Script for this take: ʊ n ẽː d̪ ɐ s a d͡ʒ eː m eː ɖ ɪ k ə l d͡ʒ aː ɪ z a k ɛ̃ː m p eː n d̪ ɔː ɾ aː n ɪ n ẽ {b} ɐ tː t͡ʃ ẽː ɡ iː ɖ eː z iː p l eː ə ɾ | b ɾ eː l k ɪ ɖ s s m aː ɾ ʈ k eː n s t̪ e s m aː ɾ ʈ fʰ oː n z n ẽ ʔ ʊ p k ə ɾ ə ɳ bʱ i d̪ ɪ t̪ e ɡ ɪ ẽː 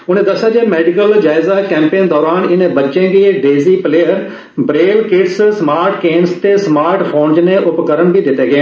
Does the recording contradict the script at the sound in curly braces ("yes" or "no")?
no